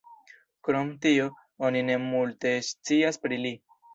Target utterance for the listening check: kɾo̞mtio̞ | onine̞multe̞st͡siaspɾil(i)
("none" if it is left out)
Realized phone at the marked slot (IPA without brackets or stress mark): i